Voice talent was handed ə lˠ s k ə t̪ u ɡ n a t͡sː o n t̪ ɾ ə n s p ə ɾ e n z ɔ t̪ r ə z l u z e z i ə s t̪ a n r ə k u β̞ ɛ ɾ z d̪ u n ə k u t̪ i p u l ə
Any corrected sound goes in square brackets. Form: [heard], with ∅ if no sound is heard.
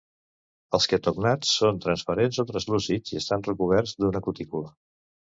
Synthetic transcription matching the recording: ə lˠ s k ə t̪ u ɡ n a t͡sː o n t̪ ɾ ə n s p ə ɾ e n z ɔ t̪ [ɾ] ə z l u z [i] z i ə s t̪ a n r ə k u β̞ ɛ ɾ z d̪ u n ə k u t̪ i [k] u l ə